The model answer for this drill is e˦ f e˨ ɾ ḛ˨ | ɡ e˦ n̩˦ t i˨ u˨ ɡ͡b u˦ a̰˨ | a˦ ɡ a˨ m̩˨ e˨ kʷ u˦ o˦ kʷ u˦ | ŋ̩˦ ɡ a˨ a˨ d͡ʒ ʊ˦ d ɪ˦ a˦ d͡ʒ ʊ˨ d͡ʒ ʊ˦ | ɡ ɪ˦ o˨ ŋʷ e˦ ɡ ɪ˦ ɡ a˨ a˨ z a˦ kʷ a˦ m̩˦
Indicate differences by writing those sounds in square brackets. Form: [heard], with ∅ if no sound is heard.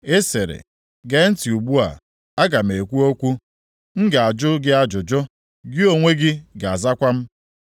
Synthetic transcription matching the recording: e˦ [s] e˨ ɾ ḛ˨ | ɡ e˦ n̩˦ t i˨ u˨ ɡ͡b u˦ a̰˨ | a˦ ɡ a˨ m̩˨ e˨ kʷ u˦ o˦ kʷ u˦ | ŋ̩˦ ɡ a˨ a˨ d͡ʒ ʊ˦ [ɡ] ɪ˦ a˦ d͡ʒ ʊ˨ d͡ʒ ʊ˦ | ɡ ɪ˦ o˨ ŋʷ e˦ ɡ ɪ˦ ɡ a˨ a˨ z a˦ kʷ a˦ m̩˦